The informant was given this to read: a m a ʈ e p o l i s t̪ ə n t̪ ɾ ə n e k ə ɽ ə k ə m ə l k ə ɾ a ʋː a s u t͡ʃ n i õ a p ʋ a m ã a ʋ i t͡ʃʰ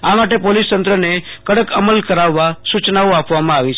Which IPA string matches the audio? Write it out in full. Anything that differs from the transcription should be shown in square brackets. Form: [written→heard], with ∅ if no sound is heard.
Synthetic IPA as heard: a m a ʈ e p o l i s t̪ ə n t̪ ɾ ə n e k ə ɽ ə k ə m ə l k ə ɾ a ʋː a s u t͡ʃ n [i→a] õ a p ʋ a m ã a ʋ i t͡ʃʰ